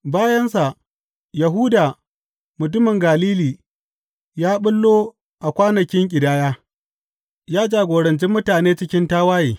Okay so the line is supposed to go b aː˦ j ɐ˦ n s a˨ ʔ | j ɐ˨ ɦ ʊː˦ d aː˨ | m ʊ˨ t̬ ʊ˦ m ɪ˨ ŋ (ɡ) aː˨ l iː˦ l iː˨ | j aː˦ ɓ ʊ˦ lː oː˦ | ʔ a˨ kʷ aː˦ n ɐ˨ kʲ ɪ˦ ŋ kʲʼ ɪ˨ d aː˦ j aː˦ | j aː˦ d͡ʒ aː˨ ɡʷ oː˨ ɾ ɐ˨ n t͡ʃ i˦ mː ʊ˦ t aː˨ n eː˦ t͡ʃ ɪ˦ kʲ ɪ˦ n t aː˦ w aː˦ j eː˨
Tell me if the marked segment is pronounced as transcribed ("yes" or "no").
yes